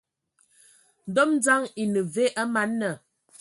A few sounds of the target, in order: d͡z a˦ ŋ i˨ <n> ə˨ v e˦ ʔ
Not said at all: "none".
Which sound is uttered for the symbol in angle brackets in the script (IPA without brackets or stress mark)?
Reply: n